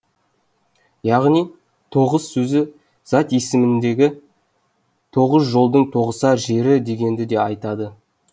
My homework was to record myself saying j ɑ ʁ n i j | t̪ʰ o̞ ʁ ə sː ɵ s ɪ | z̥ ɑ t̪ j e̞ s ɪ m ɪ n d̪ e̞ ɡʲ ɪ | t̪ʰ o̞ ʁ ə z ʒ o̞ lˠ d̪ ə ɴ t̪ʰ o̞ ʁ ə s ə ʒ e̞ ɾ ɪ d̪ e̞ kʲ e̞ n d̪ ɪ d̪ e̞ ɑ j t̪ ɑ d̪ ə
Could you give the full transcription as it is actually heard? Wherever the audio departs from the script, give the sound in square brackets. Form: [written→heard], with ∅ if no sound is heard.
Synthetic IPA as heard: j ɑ ʁ n i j | t̪ʰ o̞ ʁ ə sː ɵ [s→z] ɪ | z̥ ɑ t̪ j e̞ s ɪ m ɪ n d̪ e̞ ɡʲ ɪ | t̪ʰ o̞ ʁ ə z ʒ o̞ lˠ d̪ ə ɴ t̪ʰ o̞ ʁ ə s [ə→ɑ] ʒ e̞ ɾ ɪ d̪ e̞ [kʲ→ɡʲ] e̞ n d̪ ɪ d̪ e̞ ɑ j t̪ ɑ d̪ ə